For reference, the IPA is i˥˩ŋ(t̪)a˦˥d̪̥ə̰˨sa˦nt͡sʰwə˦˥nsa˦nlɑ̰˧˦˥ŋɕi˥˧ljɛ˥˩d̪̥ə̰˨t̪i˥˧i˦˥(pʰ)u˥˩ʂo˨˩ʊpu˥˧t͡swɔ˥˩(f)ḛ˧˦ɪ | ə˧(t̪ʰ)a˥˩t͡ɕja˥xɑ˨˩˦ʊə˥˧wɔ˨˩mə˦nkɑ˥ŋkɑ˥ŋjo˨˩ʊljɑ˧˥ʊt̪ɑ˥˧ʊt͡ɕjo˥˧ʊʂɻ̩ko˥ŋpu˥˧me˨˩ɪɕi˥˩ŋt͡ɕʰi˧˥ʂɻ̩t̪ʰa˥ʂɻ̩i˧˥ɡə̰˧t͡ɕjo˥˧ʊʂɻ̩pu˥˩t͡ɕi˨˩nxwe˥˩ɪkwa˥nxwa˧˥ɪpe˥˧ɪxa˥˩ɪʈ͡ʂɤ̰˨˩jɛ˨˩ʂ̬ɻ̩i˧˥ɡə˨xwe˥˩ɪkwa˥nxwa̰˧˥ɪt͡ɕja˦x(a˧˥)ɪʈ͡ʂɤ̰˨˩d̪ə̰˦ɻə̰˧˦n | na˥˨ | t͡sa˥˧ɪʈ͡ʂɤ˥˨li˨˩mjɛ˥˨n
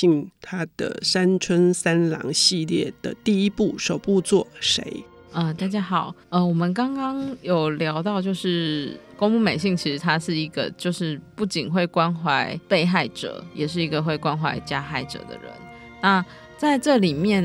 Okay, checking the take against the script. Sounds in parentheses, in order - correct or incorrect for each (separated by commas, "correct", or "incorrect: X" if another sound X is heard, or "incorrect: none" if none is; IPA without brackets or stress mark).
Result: incorrect: t̪ʰ, incorrect: p, incorrect: ʂ, incorrect: t̪, incorrect: a˥˩